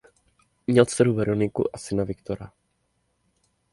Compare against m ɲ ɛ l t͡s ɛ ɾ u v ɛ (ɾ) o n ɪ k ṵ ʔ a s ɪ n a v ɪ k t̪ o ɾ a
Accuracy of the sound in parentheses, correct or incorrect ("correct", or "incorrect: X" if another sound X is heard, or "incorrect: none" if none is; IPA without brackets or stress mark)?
correct